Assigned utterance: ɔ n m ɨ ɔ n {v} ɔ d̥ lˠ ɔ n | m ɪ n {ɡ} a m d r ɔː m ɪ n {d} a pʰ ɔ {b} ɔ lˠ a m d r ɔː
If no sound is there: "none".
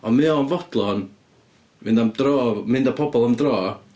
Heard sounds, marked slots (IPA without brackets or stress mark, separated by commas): v, d, d, b